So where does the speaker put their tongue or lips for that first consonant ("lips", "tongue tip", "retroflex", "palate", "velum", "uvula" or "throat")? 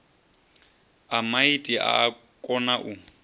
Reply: lips